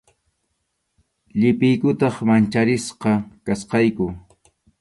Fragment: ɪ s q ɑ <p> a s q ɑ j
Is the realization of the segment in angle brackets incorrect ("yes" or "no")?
yes